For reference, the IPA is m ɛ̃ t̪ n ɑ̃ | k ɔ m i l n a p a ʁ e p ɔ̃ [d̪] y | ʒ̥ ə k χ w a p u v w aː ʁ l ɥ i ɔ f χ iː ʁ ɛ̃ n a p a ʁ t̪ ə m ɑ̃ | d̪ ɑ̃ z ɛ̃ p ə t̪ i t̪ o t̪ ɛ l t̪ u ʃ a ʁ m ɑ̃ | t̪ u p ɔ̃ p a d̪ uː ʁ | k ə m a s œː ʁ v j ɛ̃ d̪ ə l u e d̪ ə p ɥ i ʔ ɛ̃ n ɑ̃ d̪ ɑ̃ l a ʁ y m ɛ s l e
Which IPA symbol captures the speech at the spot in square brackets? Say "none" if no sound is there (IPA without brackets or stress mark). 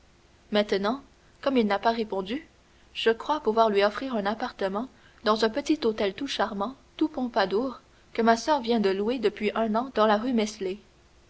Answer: d̪